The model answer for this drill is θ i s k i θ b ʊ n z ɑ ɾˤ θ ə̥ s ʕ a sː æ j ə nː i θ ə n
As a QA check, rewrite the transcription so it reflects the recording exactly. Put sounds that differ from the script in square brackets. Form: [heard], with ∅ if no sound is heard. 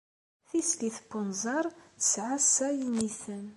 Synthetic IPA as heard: θ i s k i θ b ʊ n z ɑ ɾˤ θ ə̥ s ʕ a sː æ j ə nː i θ ə n